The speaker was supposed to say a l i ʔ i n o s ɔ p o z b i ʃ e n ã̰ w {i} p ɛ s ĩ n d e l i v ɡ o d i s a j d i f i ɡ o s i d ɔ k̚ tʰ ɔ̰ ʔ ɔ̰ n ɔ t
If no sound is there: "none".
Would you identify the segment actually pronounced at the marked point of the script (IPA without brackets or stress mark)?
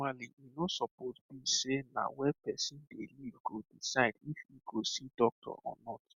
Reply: ɛ